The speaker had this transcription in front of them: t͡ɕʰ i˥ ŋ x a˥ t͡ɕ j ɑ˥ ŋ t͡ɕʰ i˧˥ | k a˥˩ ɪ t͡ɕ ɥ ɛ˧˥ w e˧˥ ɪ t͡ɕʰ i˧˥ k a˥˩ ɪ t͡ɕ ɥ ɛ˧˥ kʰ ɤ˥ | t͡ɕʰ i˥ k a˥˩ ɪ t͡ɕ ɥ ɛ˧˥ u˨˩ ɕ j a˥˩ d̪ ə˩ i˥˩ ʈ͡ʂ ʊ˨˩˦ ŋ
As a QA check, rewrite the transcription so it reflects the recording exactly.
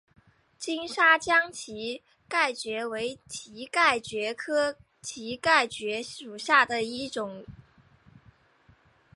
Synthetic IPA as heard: t͡ɕ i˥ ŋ ʂ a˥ t͡ɕ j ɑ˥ ŋ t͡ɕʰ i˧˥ | k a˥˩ ɪ t͡ɕ ɥ ɛ˧˥ w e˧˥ ɪ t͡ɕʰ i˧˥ k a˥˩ ɪ t͡ɕ ɥ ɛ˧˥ kʰ ɤ˥ | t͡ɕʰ i˧˥ k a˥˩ ɪ t͡ɕ ɥ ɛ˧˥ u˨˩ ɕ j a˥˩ d̪ ə˩ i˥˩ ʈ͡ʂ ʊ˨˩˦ ŋ

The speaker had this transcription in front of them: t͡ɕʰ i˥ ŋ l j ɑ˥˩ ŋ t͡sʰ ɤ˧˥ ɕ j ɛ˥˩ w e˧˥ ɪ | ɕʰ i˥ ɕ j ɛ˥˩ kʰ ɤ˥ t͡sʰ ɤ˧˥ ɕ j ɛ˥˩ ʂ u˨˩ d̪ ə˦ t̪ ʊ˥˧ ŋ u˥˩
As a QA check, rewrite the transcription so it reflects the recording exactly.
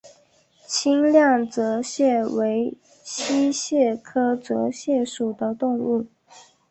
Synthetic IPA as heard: t͡ɕʰ i˥ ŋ l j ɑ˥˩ ŋ t͡s ɤ˧˥ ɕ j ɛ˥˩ w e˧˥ ɪ | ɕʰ i˥ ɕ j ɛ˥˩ kʰ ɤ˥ t͡s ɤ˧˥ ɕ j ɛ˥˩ ʂ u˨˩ d̪ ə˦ t̪ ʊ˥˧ ŋ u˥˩

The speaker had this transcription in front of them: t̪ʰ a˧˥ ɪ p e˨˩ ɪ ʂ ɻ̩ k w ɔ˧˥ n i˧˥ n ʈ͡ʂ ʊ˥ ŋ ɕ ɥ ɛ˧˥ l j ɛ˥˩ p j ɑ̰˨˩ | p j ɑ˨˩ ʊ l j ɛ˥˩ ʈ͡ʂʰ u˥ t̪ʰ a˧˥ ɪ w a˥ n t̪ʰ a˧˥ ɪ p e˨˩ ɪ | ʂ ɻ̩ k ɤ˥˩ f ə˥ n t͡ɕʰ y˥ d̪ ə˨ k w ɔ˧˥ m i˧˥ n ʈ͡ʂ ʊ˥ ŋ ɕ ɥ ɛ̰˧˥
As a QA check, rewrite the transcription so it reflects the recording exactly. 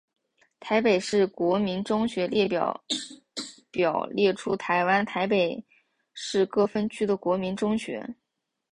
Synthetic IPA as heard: t̪ʰ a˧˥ ɪ p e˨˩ ɪ ʂ ɻ̩ k w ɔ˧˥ m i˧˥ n ʈ͡ʂ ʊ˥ ŋ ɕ ɥ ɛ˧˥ l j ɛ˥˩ p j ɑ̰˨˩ | p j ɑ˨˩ ʊ l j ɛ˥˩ ʈ͡ʂʰ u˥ t̪ʰ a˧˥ ɪ w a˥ n t̪ʰ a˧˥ ɪ p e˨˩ ɪ | ʂ ɻ̩ k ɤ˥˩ f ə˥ n t͡ɕʰ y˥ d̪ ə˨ k w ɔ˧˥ m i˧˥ n ʈ͡ʂ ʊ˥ ŋ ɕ ɥ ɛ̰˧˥

